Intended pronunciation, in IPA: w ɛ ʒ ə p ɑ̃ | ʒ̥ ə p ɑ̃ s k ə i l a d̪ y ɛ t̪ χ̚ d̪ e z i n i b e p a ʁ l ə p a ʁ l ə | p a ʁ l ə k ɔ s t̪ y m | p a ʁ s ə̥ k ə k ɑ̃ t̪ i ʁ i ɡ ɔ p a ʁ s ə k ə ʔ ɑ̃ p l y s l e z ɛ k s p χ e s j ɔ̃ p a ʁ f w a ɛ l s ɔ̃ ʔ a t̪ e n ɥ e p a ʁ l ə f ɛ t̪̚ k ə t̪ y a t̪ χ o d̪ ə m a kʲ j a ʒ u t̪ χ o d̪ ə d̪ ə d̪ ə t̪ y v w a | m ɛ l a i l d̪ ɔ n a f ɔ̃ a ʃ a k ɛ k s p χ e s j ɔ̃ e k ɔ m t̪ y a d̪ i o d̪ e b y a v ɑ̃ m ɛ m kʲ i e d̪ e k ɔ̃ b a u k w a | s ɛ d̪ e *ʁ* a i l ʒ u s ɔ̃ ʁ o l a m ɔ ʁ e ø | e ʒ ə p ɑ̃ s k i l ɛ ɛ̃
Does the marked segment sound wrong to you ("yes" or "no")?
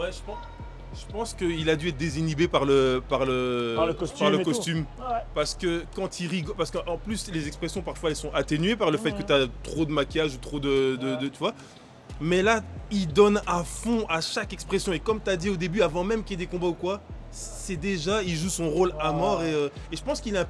yes